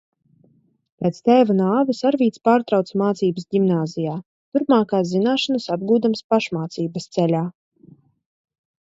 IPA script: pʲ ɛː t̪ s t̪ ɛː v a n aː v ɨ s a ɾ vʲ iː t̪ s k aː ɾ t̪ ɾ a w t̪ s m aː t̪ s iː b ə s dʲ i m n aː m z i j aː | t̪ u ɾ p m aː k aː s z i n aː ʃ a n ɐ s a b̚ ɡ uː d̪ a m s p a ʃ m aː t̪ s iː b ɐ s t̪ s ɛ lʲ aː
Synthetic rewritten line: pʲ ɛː t̪ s t̪ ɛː v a n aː v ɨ s a ɾ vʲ iː t̪ s p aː ɾ t̪ ɾ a w t̪ s m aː t̪ s iː b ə s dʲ i m n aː z i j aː | t̪ u ɾ p m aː k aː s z i n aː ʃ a n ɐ s a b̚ ɡ uː d̪ a m s p a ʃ m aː t̪ s iː b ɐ s t̪ s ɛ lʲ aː